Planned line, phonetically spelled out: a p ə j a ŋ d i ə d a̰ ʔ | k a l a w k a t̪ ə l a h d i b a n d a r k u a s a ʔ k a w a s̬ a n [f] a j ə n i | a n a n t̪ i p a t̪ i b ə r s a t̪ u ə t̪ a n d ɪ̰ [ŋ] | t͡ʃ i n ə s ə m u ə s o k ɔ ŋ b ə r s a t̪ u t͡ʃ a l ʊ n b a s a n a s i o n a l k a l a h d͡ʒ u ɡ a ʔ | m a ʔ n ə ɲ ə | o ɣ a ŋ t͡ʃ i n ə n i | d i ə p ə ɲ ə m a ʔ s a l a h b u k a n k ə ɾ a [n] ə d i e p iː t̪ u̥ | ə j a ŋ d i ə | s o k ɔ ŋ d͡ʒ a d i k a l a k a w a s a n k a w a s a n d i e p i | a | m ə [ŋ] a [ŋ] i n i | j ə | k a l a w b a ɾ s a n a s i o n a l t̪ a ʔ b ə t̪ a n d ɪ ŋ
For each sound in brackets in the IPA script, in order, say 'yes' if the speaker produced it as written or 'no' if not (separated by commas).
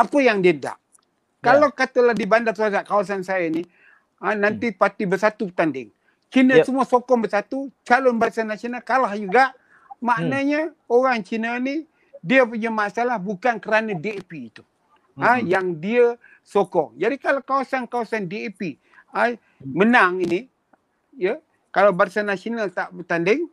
no, yes, yes, no, yes